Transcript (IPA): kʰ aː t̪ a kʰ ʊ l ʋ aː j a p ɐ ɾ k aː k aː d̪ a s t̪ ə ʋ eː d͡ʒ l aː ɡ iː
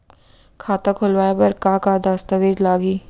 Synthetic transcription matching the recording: kʰ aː t̪ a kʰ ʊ l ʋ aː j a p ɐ ɾ k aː k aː d̪ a s t̪ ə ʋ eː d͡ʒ l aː ɡ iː